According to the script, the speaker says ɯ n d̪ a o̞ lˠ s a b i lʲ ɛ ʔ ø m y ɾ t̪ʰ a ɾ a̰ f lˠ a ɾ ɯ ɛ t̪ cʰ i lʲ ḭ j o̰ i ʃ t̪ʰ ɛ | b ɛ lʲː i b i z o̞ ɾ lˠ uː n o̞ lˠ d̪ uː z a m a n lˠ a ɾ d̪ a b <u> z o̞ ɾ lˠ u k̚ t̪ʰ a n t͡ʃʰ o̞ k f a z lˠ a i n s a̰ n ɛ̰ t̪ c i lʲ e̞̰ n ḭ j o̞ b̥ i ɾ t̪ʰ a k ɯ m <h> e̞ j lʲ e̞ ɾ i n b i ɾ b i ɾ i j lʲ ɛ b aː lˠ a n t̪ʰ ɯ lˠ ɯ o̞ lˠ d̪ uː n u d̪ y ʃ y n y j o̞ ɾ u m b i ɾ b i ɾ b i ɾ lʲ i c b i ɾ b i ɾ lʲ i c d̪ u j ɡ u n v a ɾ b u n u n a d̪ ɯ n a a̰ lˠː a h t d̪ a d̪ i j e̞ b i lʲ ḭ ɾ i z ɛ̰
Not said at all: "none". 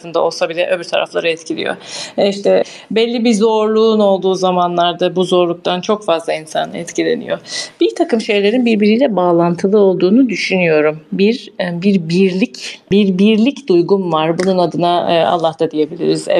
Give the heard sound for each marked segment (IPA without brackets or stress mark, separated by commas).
u, ʃ